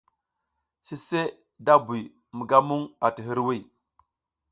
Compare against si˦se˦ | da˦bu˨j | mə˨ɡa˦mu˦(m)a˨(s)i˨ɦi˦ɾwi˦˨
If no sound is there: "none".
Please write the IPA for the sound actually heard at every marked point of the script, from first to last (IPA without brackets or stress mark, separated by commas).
ŋ, t